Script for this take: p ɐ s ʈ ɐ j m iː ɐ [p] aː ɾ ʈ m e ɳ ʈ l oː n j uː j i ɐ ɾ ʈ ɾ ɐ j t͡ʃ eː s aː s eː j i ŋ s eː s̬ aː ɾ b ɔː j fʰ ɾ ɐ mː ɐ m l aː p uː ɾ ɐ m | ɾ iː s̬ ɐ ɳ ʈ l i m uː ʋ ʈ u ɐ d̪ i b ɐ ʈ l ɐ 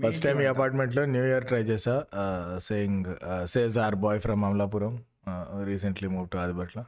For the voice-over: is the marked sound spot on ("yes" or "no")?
yes